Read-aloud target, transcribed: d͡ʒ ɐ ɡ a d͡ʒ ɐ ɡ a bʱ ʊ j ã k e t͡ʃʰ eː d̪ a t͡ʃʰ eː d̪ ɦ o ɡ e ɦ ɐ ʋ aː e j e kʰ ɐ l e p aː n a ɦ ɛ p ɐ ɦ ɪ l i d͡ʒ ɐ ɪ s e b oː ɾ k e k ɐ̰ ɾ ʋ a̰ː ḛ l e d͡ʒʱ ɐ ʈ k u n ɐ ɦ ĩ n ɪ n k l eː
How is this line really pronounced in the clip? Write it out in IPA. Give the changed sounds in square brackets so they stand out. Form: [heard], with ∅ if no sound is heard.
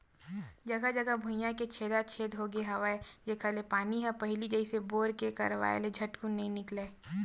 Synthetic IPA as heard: d͡ʒ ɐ ɡ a d͡ʒ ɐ ɡ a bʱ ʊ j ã k e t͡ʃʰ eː d̪ a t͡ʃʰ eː d̪ ɦ o ɡ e ɦ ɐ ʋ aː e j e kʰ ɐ l e p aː n [i] ɦ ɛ p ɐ ɦ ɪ l i d͡ʒ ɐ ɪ s e b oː ɾ k e k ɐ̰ ɾ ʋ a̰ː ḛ l e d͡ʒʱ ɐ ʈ k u n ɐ ɦ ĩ n ɪ [∅] k l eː